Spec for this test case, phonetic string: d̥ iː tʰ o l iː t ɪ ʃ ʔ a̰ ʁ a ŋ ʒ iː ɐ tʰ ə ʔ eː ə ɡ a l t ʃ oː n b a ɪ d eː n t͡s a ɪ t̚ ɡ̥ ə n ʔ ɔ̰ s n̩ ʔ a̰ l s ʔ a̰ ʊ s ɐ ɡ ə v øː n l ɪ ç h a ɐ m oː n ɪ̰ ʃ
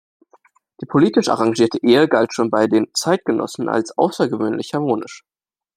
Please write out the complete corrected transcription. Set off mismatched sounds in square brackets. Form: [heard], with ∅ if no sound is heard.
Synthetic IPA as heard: d̥ iː [pʰ] o l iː t ɪ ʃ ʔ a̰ ʁ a ŋ ʒ iː ɐ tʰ ə ʔ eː ə ɡ a l t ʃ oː n b a ɪ d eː n t͡s a ɪ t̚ ɡ̥ ə n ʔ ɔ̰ s n̩ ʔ a̰ l s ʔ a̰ ʊ s ɐ ɡ ə v øː n l ɪ ç h a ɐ m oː n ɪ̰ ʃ